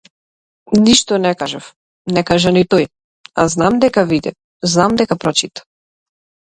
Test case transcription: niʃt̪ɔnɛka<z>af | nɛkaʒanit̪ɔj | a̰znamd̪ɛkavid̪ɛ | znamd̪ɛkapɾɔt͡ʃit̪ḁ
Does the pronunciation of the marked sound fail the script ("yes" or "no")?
yes